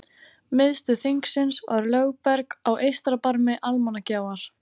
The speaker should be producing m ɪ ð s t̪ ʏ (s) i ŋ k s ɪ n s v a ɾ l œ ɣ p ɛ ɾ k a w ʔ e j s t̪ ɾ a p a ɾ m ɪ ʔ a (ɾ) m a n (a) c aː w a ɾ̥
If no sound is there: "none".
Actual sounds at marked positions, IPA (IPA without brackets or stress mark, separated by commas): θ, l, a